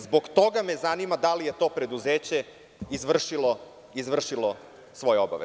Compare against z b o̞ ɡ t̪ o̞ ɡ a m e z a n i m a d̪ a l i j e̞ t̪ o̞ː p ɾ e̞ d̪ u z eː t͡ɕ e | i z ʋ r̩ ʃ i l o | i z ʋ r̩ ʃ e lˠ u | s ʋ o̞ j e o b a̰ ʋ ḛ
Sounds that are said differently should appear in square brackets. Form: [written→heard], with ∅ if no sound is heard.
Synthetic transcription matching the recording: z b o̞ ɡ t̪ o̞ ɡ a m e z a n i m a d̪ a l i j e̞ t̪ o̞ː p ɾ e̞ d̪ u z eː t͡ɕ e | i z ʋ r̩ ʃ i l o | i z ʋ r̩ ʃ [e→i] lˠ [u→o] | s ʋ o̞ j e o b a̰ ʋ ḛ